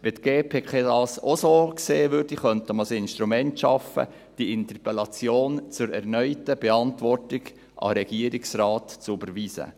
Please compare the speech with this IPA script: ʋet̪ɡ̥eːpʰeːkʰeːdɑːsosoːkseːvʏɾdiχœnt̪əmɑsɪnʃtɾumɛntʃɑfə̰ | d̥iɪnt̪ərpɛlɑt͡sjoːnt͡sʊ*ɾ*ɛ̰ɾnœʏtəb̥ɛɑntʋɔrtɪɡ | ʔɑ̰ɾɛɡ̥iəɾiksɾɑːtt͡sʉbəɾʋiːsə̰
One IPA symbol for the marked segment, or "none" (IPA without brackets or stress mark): ɾ